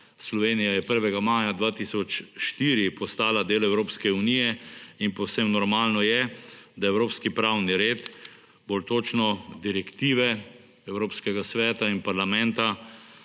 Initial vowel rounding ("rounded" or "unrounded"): rounded